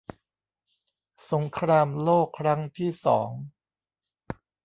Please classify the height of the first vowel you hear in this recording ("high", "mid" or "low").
mid